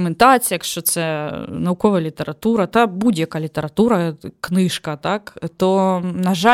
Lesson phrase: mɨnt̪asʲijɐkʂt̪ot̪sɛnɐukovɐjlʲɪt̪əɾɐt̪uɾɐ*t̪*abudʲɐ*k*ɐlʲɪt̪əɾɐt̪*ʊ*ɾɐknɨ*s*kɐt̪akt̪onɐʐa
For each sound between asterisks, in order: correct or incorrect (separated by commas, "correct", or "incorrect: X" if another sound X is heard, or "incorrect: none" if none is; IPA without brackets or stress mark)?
correct, correct, incorrect: u, incorrect: ʂ